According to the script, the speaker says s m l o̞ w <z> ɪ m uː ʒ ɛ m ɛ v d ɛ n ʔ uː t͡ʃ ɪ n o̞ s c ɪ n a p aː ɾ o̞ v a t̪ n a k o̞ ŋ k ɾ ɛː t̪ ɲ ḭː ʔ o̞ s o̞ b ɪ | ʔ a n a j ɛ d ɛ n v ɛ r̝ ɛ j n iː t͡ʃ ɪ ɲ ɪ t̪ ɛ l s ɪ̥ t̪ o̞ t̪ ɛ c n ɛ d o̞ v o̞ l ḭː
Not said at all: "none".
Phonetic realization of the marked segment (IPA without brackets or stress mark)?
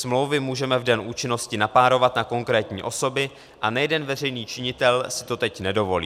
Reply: v